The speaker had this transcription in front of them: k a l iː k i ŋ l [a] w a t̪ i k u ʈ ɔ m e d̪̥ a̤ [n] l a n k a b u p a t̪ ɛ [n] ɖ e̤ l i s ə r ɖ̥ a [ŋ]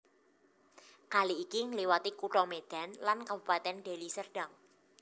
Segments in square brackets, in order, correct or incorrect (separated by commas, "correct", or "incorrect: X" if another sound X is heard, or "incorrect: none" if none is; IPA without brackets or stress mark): incorrect: i, correct, correct, correct